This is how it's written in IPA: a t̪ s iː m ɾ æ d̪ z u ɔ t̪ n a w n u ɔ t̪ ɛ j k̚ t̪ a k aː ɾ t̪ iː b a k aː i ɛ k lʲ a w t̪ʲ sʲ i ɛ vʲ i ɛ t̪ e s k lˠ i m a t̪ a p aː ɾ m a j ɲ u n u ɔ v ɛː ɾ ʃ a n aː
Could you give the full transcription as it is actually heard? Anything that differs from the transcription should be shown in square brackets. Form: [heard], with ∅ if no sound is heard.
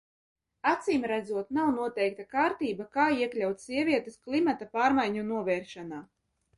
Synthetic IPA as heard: a t̪ s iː m ɾ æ d̪ z u ɔ t̪ n a w n u ɔ t̪ ɛ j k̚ t̪ a k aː ɾ t̪ iː b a k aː i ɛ k lʲ a w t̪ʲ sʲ i ɛ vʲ i ɛ t̪ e s k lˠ i m a t̪ a p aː ɾ m a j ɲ u n u ɔ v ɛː ɾ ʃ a n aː